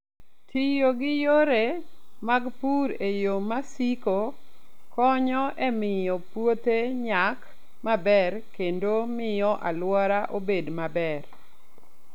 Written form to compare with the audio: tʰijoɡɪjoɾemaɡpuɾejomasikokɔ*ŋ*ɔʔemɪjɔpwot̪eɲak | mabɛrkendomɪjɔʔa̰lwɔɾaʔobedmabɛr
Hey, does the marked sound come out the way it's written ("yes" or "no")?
no